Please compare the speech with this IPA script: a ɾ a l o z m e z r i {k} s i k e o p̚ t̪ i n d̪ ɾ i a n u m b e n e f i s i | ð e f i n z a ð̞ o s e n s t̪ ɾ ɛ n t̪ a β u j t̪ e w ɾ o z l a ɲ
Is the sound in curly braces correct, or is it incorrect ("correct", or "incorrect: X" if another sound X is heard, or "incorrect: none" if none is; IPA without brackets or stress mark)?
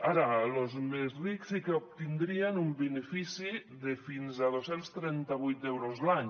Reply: correct